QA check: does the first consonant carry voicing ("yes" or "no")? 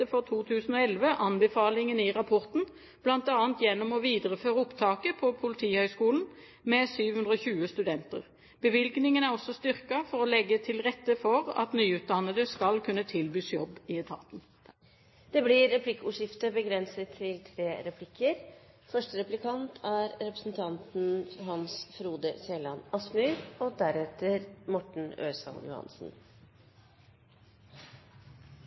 no